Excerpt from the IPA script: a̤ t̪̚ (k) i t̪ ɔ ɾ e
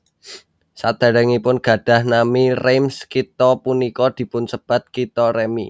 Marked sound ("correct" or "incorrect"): correct